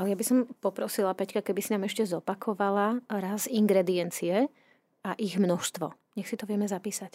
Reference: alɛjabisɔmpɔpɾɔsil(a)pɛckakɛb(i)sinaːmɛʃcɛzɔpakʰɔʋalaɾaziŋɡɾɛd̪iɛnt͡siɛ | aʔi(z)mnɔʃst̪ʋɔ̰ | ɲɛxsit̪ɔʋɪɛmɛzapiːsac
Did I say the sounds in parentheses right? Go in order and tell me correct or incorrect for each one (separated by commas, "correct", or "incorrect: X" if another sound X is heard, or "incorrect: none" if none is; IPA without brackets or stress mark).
correct, correct, incorrect: ɣ